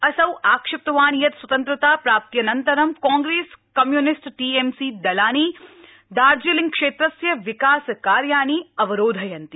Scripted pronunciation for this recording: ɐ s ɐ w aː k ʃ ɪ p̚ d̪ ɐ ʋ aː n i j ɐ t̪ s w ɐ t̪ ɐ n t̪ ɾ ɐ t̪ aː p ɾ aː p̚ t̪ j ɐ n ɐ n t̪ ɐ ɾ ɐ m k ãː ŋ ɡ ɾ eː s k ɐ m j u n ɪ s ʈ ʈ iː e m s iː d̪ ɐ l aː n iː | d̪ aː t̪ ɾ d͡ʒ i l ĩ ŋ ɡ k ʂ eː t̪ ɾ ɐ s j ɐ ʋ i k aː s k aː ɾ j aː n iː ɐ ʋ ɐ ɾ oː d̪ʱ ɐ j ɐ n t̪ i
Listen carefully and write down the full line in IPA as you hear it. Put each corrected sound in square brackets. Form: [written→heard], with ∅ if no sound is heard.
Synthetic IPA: ɐ s ɐ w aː k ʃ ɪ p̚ [d̪→t̪] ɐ ʋ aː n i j ɐ t̪ s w ɐ t̪ ɐ n t̪ ɾ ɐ t̪ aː p ɾ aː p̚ t̪ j ɐ n ɐ n t̪ ɐ ɾ ɐ m k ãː ŋ ɡ ɾ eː s k ɐ m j u n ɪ s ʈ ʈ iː e m s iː d̪ ɐ l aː n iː | d̪ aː [t̪→∅] ɾ d͡ʒ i l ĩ ŋ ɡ k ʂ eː t̪ ɾ ɐ s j ɐ ʋ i k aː s k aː ɾ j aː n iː ɐ ʋ ɐ ɾ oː d̪ʱ ɐ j ɐ n t̪ i